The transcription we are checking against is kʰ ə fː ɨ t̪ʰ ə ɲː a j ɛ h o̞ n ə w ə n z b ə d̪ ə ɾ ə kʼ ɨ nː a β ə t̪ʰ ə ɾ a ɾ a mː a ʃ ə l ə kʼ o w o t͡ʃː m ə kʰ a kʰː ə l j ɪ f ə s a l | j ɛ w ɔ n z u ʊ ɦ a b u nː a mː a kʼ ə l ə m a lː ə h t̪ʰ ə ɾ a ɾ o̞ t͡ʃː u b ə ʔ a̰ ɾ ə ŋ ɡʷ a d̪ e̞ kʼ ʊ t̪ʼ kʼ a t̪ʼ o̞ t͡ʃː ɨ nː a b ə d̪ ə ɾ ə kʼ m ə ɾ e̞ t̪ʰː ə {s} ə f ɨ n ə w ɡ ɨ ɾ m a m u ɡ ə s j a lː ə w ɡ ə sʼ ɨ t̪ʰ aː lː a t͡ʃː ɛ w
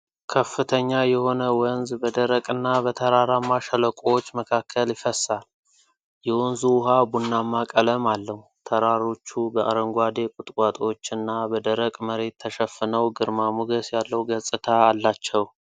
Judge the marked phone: incorrect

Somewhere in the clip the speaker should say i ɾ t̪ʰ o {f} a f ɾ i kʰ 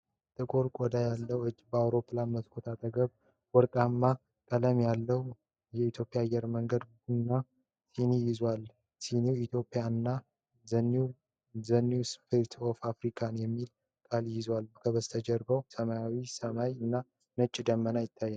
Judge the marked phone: correct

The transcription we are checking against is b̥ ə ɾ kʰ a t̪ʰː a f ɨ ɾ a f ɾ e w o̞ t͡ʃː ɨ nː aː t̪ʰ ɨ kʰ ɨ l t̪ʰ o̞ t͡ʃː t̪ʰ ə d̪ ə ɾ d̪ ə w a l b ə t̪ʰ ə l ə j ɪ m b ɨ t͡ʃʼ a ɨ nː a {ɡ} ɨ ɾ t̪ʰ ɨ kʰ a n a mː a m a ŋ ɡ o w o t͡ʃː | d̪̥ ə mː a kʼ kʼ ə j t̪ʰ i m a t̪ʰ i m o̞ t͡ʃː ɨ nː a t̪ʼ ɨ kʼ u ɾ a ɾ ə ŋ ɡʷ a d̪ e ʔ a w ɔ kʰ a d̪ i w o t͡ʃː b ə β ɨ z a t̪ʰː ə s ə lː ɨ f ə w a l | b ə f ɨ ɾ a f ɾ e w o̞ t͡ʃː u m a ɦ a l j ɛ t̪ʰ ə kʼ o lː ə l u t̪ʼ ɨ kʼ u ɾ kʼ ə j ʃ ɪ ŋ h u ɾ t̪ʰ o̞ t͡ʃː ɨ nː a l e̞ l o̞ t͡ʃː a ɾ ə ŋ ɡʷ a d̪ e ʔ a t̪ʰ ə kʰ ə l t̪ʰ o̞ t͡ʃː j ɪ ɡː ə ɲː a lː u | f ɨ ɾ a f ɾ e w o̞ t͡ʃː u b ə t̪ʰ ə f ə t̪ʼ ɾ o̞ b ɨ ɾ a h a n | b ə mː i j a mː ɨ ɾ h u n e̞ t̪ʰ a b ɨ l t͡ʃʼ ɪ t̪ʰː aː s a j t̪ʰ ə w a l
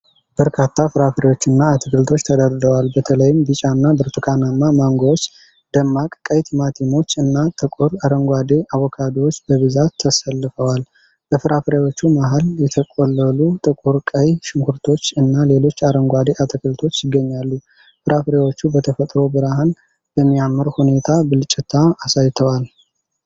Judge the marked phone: incorrect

